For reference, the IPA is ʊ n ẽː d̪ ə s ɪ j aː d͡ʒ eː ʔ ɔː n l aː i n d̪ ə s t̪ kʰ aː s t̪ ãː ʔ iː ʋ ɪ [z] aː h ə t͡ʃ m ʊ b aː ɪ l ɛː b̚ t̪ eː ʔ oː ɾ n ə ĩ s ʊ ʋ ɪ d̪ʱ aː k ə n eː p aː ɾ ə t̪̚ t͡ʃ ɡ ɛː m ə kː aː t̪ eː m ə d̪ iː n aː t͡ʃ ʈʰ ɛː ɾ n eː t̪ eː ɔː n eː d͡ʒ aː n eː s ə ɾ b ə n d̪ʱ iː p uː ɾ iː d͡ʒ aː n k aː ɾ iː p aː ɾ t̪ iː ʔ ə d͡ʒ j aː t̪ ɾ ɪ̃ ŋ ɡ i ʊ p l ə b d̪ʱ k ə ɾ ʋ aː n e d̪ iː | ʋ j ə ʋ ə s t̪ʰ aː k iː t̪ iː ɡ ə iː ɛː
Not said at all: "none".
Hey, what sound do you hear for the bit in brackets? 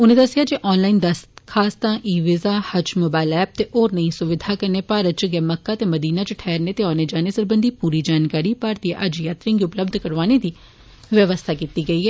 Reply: z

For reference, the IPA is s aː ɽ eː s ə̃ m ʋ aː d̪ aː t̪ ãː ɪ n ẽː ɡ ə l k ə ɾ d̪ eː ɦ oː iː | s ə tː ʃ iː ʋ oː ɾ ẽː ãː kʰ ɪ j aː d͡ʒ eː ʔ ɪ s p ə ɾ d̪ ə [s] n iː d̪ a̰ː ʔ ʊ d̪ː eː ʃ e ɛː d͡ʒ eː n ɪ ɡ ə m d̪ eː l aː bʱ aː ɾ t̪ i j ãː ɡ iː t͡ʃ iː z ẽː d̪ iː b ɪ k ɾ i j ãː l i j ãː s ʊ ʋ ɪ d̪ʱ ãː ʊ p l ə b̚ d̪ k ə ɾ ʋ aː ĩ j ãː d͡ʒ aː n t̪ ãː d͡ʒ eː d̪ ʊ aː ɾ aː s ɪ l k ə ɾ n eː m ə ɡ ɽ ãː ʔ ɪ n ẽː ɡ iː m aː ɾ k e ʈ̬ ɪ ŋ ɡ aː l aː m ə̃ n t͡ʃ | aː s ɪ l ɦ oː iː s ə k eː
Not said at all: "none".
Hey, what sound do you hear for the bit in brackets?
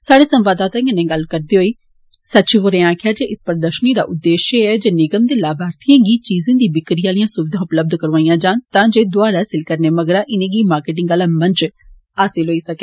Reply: ʃ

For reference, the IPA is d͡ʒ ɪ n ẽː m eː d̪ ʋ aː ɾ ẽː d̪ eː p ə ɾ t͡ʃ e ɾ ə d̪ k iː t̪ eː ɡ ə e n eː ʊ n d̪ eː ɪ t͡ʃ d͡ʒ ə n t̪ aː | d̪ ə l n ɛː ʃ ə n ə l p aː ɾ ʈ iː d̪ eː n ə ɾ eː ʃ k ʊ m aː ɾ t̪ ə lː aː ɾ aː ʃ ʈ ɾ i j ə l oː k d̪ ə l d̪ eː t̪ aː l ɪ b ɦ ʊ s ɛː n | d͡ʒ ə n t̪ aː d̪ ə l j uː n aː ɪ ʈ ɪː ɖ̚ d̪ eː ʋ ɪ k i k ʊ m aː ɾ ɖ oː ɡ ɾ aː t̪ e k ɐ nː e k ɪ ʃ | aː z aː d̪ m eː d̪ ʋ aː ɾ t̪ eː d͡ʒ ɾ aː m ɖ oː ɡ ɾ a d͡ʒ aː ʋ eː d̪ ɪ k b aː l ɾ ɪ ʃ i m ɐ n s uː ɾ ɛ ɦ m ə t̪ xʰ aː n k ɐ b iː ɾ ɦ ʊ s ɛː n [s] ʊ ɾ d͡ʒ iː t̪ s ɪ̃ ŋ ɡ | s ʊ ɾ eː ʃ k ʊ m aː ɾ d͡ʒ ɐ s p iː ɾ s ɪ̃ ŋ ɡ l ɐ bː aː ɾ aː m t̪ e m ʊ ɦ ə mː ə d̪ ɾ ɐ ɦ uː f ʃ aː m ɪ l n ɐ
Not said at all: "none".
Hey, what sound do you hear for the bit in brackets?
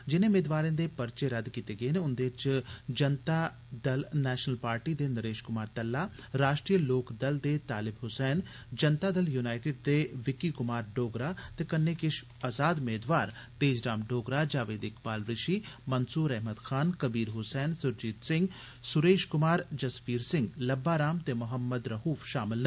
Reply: s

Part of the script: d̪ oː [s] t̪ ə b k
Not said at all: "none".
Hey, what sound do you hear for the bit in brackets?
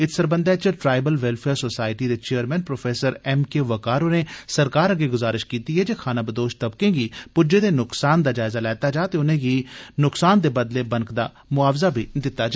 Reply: ʃ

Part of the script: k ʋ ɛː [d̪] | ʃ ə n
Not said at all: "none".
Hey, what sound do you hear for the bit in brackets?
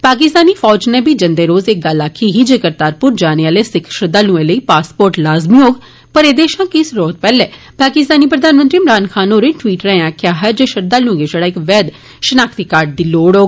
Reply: d̪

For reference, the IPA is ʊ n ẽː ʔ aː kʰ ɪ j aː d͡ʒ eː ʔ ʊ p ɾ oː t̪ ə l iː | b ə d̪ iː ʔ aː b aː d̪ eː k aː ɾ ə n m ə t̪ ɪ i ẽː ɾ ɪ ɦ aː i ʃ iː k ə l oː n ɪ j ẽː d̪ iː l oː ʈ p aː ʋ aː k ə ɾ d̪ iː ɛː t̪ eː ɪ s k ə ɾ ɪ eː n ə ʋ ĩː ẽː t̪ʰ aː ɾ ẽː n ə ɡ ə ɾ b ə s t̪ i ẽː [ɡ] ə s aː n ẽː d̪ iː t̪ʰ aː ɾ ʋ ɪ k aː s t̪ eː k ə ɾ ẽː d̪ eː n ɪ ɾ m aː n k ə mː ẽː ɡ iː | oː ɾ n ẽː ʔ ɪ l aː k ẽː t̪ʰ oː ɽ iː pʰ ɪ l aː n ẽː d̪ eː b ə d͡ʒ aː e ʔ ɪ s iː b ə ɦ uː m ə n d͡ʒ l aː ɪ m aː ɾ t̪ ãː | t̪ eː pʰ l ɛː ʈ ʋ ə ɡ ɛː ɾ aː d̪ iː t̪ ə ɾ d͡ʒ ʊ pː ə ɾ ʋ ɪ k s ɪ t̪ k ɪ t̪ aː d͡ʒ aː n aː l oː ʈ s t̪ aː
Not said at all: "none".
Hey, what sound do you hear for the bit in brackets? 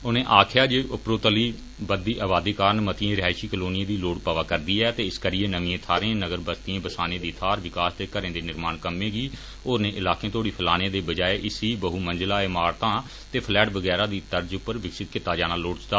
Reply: b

